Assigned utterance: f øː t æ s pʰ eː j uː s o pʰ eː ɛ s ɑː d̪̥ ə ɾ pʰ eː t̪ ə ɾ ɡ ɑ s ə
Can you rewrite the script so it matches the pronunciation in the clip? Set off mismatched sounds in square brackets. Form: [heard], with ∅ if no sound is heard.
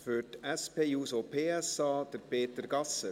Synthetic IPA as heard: f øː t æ s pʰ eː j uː s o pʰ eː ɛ s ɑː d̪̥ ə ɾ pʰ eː t̪ ə ɾ ɡ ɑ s ə